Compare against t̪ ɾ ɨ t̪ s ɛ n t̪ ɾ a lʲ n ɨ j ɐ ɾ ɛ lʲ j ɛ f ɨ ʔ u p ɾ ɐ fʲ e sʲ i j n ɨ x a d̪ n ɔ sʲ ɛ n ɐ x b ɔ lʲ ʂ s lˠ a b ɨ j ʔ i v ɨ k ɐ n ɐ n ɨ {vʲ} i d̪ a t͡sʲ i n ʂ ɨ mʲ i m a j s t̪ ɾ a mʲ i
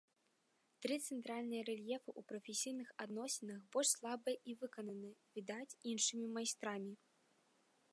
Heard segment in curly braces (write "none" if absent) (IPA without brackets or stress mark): vʲ